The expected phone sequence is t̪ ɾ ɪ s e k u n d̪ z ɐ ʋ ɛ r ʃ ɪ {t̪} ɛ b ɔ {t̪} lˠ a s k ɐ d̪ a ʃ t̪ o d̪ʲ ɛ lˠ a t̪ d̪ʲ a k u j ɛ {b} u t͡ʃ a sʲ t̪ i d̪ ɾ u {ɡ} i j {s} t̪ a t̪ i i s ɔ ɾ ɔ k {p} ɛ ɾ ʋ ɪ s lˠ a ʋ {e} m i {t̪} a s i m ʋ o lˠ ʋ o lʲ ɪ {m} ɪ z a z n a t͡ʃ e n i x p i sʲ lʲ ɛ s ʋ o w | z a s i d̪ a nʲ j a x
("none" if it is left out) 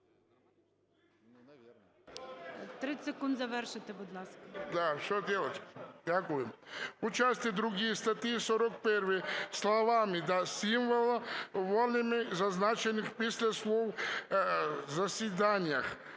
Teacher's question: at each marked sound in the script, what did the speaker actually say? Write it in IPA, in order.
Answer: t̪, d̪, m, ɡ, s, p, a, d̪, m

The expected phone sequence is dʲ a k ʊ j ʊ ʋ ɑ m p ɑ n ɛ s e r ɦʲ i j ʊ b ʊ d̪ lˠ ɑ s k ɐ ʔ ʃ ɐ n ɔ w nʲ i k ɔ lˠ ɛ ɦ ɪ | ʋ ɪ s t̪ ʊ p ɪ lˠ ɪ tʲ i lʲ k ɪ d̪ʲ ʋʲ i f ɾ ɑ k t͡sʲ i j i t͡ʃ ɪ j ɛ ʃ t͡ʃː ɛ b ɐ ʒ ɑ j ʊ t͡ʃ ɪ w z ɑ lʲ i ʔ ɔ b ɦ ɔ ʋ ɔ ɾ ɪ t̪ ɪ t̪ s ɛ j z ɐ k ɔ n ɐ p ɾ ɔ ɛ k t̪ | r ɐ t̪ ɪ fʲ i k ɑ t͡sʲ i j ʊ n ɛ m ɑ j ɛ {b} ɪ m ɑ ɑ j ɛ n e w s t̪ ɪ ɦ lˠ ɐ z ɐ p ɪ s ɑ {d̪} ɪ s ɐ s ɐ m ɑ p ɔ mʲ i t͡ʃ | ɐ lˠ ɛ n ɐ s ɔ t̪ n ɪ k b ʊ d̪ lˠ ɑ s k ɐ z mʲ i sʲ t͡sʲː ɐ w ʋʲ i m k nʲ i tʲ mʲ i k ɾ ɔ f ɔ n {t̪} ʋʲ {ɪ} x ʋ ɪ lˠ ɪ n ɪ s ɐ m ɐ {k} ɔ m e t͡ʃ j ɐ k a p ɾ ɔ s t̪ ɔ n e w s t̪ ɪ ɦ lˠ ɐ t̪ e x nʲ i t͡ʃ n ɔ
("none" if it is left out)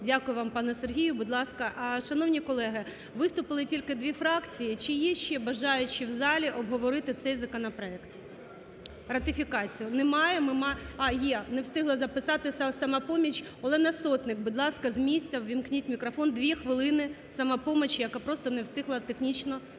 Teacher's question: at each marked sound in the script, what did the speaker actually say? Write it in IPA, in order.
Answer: m, t̪, d̪, i, p

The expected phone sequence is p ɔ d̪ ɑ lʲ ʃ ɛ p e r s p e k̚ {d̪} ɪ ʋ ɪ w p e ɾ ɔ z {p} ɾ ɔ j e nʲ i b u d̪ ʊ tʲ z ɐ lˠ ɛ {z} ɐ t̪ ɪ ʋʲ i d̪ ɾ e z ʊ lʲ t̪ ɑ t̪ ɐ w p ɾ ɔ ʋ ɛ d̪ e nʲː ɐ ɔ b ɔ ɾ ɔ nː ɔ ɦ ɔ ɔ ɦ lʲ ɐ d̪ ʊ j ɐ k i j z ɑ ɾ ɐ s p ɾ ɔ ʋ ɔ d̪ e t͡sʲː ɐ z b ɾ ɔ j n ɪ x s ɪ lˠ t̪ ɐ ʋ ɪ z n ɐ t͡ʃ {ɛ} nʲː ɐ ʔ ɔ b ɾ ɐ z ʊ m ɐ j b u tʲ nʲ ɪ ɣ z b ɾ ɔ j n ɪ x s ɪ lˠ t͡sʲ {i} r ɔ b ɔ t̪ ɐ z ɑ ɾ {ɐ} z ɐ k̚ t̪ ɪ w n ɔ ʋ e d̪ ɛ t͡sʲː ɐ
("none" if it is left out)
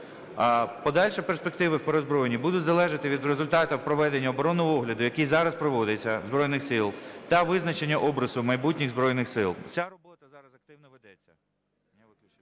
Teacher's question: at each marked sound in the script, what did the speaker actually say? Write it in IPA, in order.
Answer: t̪, b, ʒ, e, a, ɐ

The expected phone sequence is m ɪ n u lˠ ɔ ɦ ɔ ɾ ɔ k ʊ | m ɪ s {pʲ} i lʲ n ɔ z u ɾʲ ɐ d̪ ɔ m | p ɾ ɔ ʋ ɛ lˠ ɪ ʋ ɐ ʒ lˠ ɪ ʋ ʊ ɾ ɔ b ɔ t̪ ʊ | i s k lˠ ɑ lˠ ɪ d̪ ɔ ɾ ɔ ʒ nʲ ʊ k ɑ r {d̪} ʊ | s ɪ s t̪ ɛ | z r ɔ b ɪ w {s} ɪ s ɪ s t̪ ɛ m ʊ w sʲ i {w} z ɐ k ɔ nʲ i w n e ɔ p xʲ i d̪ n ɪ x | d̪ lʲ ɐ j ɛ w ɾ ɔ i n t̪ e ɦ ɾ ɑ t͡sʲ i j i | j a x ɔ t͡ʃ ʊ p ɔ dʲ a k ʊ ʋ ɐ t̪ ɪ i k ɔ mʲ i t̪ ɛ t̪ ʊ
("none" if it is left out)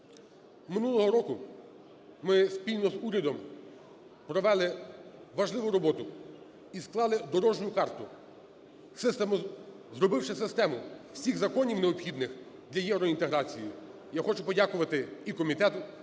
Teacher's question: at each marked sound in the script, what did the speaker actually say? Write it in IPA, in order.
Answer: pʲ, t̪, ʃ, ɣ

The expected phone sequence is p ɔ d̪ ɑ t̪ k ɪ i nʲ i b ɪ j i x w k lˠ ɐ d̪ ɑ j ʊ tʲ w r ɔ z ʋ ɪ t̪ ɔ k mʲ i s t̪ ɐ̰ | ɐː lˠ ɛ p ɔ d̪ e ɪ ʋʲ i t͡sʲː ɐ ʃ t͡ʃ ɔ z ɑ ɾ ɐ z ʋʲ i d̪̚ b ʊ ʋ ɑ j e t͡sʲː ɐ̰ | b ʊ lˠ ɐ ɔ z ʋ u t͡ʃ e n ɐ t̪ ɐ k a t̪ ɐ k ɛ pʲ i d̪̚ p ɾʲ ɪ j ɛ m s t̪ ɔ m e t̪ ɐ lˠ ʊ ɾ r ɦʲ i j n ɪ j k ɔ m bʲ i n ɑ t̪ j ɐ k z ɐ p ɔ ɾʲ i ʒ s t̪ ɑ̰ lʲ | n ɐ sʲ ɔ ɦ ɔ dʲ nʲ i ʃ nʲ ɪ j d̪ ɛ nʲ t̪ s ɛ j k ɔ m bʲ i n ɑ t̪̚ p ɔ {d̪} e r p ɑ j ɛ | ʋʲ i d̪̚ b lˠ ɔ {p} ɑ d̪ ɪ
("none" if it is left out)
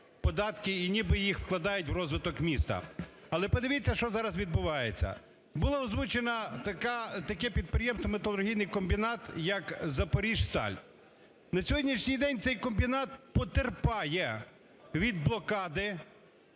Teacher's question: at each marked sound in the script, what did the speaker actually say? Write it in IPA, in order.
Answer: t̪, k

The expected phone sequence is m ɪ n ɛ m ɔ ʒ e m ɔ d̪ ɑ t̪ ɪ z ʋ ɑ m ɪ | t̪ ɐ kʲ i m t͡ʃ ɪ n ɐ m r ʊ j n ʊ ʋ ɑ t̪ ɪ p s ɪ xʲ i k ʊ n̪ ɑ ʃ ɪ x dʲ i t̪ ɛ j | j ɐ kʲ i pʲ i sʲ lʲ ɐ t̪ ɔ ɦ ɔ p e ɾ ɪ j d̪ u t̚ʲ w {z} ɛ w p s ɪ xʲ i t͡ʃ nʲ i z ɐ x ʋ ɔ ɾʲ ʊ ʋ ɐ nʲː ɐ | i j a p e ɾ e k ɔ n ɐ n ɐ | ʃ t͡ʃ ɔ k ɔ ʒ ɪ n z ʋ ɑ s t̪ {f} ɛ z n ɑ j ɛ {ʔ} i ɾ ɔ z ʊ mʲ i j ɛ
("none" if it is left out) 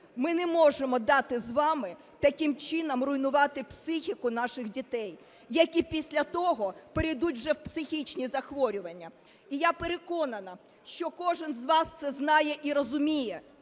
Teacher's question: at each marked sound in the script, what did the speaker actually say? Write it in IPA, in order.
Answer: ʒ, s, ʔ

